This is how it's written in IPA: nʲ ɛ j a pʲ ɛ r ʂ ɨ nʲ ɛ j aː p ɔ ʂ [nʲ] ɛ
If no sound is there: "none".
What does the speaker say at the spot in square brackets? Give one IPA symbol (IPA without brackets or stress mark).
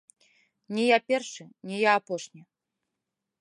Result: nʲ